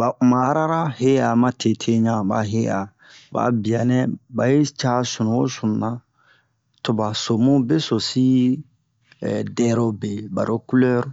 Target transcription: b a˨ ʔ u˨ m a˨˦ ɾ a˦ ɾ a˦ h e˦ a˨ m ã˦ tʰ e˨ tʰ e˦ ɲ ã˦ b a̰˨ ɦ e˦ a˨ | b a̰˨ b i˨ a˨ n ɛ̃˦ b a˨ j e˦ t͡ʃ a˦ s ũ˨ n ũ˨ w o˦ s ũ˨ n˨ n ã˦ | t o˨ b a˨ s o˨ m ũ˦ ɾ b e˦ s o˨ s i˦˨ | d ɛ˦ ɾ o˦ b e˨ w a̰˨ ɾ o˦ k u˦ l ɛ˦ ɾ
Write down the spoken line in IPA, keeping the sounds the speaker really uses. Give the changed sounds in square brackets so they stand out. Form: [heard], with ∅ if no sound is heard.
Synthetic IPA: b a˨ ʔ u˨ m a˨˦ ɾ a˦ ɾ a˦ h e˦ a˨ m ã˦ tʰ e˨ tʰ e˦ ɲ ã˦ b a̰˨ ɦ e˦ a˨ | b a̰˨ b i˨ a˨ n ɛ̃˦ b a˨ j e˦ t͡ʃ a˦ s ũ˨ n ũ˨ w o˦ s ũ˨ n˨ n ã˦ | t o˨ b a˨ s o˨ m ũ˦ [∅] b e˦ s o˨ s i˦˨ | d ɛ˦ ɾ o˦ b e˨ [b] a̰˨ ɾ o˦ k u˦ l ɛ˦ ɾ